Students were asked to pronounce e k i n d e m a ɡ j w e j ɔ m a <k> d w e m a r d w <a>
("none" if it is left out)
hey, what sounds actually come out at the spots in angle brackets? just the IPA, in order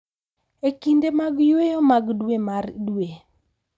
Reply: ɡ, e

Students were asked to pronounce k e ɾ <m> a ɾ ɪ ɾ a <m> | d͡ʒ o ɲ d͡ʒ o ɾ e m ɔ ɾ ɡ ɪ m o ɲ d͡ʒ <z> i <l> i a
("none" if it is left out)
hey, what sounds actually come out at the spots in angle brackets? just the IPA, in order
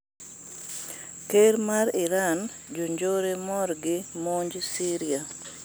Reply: m, n, s, ɾ

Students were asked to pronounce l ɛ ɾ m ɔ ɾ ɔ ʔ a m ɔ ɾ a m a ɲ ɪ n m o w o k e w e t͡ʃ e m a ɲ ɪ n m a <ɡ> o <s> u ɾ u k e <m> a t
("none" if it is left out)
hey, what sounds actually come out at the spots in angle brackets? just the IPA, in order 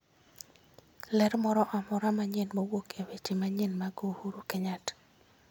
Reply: ɡ, h, ɲ

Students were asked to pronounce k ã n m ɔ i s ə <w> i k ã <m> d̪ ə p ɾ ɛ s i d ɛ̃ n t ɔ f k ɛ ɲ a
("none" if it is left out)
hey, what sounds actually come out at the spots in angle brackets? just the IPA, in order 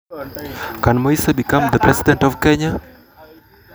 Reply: b, m

